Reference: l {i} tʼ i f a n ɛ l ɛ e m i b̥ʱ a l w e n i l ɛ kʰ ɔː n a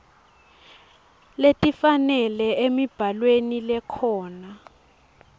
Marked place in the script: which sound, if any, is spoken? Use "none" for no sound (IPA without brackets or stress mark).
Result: e